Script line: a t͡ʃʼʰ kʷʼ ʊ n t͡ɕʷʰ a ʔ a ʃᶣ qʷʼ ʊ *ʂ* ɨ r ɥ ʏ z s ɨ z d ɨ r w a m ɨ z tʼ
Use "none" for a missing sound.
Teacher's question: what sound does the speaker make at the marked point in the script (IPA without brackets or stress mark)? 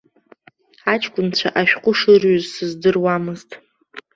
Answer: ʂ